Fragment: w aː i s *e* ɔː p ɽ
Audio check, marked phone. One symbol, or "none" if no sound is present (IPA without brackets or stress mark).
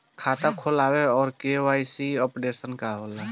i